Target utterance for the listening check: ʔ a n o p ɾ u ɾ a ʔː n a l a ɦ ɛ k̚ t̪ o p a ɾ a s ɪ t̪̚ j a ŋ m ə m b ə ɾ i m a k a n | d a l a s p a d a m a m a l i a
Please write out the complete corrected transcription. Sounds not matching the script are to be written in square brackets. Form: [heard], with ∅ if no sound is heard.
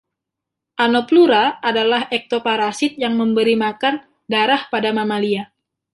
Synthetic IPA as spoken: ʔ a n o p [l] u ɾ a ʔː [d] a l a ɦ ɛ k̚ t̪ o p a ɾ a s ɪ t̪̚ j a ŋ m ə m b ə ɾ i m a k a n | d a [ɾ] a [h] p a d a m a m a l i a